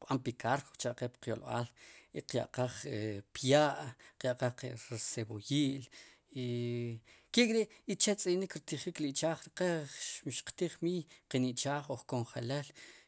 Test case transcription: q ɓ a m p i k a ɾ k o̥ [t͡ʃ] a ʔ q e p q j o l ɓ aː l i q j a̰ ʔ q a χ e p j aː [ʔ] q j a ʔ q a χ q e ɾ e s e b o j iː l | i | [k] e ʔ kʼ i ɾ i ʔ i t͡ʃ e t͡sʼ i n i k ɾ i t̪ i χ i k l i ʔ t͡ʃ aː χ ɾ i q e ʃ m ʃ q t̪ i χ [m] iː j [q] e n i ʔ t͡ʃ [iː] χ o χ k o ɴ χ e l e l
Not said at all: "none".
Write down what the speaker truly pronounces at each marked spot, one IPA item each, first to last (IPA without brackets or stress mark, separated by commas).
t͡ʃ, ʔ, k, m, q, aː